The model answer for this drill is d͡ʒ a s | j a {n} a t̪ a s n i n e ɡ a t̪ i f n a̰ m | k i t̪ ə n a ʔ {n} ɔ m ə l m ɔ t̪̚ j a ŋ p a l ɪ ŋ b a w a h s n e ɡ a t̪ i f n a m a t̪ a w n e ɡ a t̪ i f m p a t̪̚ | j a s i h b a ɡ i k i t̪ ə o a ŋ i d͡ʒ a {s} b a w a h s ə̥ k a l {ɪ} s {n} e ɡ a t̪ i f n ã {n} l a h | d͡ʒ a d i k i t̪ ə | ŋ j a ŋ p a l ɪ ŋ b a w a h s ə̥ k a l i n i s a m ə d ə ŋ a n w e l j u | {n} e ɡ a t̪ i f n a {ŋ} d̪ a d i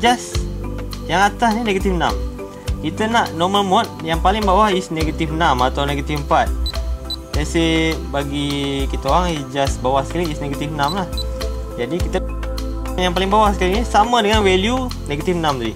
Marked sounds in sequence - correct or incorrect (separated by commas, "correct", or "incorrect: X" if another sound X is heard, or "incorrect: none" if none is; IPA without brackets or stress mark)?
incorrect: ŋ, correct, correct, incorrect: i, correct, incorrect: m, correct, incorrect: m